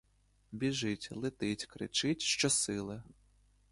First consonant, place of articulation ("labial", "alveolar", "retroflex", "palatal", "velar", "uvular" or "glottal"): labial